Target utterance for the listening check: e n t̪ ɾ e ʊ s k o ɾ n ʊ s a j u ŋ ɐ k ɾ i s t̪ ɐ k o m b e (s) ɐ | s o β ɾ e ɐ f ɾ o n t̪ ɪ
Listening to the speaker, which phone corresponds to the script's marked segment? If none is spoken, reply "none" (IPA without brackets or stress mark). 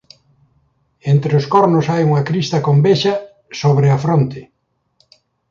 ʃ